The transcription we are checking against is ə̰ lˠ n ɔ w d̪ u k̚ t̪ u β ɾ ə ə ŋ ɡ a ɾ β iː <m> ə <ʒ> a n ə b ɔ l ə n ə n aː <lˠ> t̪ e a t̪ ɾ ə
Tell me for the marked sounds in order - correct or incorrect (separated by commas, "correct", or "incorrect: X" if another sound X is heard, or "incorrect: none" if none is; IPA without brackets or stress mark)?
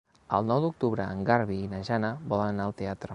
incorrect: n, correct, correct